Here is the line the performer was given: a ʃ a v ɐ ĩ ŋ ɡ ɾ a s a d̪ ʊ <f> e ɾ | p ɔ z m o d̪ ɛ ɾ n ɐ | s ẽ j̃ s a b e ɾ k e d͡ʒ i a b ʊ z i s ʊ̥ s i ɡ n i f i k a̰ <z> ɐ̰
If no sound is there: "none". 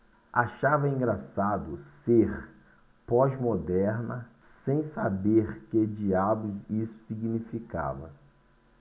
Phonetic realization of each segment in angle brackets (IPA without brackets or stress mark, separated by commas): s, v